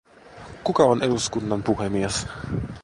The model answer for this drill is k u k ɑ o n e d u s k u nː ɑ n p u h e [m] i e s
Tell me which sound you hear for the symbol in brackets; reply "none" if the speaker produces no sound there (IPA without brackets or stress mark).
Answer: m